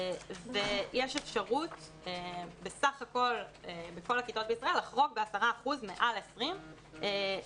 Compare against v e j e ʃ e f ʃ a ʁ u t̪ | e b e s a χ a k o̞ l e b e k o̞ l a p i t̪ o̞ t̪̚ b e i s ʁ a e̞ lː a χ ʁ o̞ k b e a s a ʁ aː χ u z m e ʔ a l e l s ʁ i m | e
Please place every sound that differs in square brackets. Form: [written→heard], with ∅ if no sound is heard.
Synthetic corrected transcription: v e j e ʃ e f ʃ a ʁ u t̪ | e b e s a χ a k o̞ l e b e k o̞ l a [p→k] i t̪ o̞ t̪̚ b e i s ʁ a e̞ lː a χ ʁ o̞ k b e a s a ʁ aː χ u z m e ʔ a l e [l→∅] s ʁ i m | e